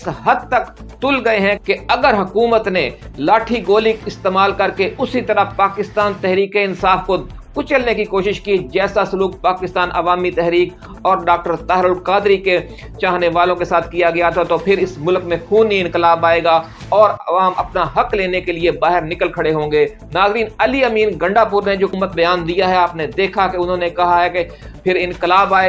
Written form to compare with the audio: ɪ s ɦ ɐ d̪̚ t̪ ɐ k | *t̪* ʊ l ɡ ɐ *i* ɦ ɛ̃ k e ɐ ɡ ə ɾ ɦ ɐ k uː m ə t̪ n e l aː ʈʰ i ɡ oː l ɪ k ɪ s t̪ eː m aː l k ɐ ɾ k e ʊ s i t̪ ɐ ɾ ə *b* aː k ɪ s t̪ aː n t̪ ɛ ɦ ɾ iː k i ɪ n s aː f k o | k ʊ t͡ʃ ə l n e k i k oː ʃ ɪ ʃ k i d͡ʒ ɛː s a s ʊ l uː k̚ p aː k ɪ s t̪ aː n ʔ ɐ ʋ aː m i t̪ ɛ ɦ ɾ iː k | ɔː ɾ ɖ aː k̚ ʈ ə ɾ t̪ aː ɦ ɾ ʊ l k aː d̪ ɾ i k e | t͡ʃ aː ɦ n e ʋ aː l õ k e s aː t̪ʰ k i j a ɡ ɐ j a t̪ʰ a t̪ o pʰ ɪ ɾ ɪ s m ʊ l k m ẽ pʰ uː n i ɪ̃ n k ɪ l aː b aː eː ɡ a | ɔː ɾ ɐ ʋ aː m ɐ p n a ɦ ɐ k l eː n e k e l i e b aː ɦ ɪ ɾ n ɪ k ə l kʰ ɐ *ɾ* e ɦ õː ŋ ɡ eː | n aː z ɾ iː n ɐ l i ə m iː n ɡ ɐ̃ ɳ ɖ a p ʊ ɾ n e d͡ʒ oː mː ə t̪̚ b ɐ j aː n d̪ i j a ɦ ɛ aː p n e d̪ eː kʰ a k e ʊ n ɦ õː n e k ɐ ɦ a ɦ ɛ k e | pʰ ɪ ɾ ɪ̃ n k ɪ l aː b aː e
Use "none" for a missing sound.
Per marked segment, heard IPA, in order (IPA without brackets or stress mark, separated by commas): t̪, e, p, ɽ